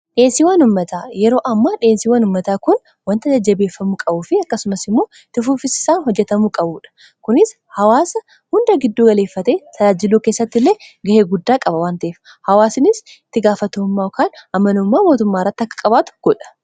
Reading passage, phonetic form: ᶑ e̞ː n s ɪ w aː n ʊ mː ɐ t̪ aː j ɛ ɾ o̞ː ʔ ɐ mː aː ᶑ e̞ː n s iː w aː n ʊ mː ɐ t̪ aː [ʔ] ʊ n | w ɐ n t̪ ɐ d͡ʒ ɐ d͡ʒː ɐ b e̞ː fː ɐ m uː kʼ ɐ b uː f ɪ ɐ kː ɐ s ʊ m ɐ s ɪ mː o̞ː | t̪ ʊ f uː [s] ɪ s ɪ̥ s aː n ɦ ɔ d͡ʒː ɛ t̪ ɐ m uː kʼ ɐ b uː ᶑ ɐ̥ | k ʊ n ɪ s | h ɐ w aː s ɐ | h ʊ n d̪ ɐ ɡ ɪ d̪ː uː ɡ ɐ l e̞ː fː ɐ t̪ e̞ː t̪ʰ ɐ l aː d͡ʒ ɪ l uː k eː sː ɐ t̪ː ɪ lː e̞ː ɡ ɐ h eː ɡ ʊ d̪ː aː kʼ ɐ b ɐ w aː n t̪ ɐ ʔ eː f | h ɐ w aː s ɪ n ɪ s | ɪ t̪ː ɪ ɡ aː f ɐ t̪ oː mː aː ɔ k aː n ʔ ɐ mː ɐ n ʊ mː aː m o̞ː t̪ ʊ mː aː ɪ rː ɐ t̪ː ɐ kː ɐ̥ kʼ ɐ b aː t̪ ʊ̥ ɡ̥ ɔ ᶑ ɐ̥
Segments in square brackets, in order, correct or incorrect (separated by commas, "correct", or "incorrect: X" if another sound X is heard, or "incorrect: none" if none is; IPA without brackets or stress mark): incorrect: k, incorrect: f